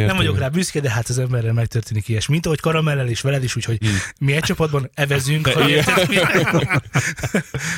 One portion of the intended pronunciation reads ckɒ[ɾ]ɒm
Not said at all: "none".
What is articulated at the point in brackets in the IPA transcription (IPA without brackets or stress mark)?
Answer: ɾ